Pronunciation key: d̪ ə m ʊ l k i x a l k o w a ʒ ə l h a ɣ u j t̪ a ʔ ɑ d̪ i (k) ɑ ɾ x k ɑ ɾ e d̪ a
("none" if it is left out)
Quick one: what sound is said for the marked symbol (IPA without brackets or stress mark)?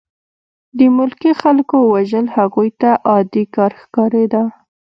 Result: k